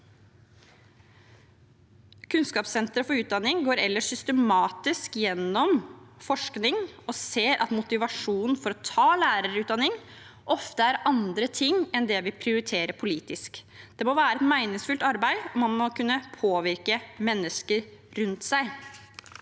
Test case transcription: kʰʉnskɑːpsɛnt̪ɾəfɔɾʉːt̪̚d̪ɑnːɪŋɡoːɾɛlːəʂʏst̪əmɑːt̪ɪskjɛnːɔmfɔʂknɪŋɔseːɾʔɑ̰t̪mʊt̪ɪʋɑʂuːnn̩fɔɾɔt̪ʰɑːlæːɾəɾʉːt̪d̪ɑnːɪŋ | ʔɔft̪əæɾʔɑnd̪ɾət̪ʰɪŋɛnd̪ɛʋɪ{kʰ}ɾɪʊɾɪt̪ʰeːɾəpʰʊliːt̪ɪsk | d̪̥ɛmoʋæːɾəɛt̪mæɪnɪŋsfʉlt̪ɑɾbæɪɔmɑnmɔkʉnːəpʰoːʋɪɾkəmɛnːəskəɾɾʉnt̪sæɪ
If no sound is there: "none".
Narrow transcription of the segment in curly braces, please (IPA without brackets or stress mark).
pʰ